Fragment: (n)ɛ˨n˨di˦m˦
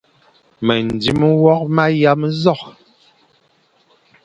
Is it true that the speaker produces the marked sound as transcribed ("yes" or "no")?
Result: no